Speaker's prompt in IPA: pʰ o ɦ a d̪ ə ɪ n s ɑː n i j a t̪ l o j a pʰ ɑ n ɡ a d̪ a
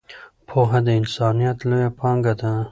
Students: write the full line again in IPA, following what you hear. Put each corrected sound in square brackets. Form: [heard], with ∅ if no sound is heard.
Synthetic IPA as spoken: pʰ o ɦ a d̪ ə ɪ n s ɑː n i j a t̪ l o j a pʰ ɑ [ŋ] ɡ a d̪ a